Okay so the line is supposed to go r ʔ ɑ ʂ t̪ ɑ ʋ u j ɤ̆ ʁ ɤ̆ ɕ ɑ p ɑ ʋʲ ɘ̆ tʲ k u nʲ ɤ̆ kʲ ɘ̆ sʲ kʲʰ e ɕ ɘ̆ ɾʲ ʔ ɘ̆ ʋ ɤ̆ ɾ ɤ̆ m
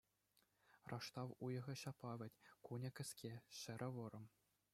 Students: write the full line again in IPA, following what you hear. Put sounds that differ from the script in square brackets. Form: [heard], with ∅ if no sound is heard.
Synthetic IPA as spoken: r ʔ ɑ ʂ t̪ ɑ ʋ u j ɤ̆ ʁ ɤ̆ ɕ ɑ p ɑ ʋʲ ɘ̆ tʲ k u nʲ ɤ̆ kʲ ɘ̆ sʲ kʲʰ e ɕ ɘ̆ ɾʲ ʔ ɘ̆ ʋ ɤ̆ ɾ ɤ̆ m